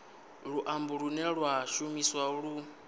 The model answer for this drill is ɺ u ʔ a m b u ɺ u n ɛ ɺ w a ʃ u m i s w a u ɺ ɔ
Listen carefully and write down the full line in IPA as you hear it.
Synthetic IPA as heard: ɺ u ʔ a m b u ɺ u n ɛ ɺ w a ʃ u m i s w a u ɺ u